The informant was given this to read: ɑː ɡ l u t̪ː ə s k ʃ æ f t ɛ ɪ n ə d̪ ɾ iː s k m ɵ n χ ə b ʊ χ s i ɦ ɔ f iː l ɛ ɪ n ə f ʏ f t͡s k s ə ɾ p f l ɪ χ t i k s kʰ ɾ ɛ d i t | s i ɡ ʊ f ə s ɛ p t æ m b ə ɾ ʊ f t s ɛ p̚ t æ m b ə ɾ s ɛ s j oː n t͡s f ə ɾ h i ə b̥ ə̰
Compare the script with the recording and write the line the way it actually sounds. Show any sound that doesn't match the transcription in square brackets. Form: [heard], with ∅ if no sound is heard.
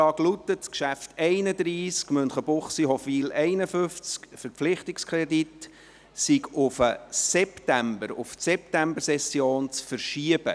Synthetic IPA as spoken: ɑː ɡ l u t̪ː ə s k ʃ æ f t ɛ ɪ n ə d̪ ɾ iː s k m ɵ n χ ə b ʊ χ s i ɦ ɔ f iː l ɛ ɪ n ə f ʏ f t͡s k [f] ə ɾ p f l ɪ χ t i k s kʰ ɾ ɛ d i t | s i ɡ ʊ f ə s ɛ p t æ m b ə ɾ ʊ f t s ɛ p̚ t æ m b ə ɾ s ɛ s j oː n t͡s f ə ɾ [ʃ] i ə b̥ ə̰